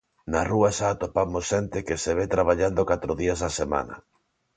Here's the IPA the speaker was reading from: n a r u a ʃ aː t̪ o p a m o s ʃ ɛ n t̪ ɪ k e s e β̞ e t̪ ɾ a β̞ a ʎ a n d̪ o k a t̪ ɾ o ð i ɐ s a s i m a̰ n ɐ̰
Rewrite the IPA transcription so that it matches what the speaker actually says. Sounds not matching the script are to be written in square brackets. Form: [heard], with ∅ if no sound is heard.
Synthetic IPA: n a r u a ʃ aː t̪ o p a m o s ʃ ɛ n t̪ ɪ k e s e β̞ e t̪ ɾ a β̞ a ʎ a n d̪ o k a t̪ ɾ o ð i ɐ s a s [e] m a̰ n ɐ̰

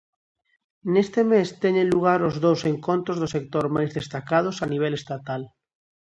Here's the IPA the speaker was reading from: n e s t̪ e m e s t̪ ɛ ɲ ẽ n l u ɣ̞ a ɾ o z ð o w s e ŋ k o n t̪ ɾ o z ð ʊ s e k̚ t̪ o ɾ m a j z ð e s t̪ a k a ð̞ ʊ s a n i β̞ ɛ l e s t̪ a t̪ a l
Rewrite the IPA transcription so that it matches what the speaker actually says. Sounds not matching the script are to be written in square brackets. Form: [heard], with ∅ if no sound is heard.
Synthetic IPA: n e s t̪ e m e s t̪ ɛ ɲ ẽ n l u ɣ̞ a ɾ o z ð o w s e ŋ k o n t̪ ɾ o z ð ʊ s e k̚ t̪ o ɾ m a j z ð e s t̪ a k a ð̞ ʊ s a n i β̞ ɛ l e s t̪ a t̪ a l

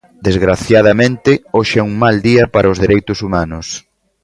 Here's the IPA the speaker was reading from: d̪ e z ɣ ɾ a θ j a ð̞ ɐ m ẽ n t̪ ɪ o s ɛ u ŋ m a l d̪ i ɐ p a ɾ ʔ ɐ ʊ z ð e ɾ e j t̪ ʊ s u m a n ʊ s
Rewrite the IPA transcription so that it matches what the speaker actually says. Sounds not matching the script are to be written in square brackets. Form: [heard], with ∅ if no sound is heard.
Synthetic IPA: d̪ e z ɣ ɾ a θ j a ð̞ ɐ m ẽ n t̪ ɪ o [ʃ] ɛ u ŋ m a l d̪ i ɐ p a ɾ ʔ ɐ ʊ z ð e ɾ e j t̪ ʊ s u m a n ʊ s

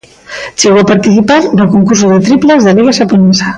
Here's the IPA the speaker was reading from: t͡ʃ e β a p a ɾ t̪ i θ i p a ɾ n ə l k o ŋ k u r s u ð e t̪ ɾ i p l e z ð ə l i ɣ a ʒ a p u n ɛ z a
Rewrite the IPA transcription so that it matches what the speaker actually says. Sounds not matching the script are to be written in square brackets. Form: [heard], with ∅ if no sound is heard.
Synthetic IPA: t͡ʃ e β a p a ɾ t̪ i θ i p a ɾ n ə l k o ŋ k u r s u ð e t̪ ɾ i p l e z ð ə l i ɣ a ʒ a p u n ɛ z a

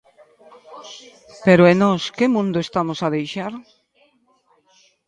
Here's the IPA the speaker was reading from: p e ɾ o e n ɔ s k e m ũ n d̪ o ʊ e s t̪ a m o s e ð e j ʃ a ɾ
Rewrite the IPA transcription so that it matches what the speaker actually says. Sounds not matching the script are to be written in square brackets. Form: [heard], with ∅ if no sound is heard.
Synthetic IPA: p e ɾ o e n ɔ s k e m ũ n d̪ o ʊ e s t̪ a m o s [a] ð e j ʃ a ɾ

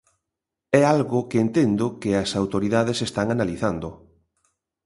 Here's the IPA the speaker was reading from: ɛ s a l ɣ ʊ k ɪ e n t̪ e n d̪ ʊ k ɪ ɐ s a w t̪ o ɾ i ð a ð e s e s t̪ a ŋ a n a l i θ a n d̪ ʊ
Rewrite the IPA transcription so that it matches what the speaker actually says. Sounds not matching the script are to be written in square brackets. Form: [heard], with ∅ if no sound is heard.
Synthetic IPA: ɛ [∅] a l ɣ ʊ k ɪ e n t̪ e n d̪ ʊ k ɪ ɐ s a w t̪ o ɾ i ð a ð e s e s t̪ a ŋ a n a l i θ a n d̪ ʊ

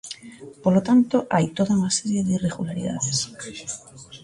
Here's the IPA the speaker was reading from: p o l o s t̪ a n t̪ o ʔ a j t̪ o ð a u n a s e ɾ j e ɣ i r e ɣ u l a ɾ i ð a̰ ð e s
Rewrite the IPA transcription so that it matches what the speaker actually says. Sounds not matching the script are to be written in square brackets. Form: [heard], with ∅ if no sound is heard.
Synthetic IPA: p o l o [∅] t̪ a n t̪ o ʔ a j t̪ o ð a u n a s e ɾ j e [ð] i r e ɣ u l a ɾ i ð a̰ ð e s

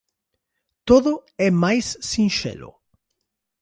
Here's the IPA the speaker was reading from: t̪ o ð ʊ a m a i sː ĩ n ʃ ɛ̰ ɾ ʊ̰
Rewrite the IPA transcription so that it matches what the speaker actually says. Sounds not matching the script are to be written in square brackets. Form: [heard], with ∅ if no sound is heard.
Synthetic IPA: t̪ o ð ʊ [ɛ] m a [j] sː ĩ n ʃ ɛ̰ [l] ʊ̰

